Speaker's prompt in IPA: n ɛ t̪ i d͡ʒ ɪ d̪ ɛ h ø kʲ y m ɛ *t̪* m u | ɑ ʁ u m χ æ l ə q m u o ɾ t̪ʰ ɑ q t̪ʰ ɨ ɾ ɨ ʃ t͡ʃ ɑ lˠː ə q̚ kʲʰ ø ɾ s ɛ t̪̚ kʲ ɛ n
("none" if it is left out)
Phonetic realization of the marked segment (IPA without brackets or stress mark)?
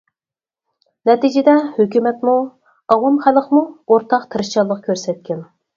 t̪